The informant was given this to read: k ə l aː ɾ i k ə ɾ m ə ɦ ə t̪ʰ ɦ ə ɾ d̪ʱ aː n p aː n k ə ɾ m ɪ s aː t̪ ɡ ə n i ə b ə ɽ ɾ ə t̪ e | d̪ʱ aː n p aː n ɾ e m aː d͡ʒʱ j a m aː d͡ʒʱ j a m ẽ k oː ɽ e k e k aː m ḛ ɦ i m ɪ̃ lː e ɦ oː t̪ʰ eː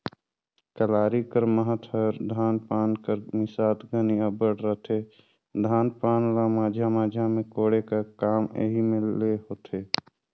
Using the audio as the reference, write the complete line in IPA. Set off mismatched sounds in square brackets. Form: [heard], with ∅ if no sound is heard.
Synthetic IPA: k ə l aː ɾ i k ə ɾ m ə ɦ ə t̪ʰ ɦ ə ɾ d̪ʱ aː n p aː n k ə ɾ m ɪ s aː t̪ ɡ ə n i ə b ə ɽ ɾ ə t̪ e | d̪ʱ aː n p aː n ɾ [a] m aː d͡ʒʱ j a m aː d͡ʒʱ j a m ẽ k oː ɽ e k [a] k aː m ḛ ɦ i m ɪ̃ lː e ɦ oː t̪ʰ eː